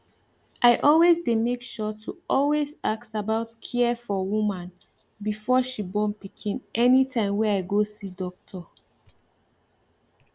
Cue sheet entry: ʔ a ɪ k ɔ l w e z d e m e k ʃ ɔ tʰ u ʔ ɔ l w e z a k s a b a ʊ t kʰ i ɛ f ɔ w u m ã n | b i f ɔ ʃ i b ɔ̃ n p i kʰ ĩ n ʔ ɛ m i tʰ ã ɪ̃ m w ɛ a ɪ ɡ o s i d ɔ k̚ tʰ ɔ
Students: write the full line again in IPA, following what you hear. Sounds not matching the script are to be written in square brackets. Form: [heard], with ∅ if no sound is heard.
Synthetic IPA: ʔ a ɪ [ʔ] ɔ l w e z d e m e k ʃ ɔ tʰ u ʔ ɔ l w e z a k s a b a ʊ t kʰ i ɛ f ɔ w u m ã n | b i f ɔ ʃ i b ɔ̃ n p i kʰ ĩ n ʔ ɛ [n] i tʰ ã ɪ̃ m w ɛ a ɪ ɡ o s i d ɔ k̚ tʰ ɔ